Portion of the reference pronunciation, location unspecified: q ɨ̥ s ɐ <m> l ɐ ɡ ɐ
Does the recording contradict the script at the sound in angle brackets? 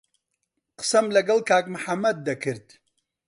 no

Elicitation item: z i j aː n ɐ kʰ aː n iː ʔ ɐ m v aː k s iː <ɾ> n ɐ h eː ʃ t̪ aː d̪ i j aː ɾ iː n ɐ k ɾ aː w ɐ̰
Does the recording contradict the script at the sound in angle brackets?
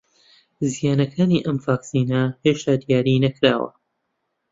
yes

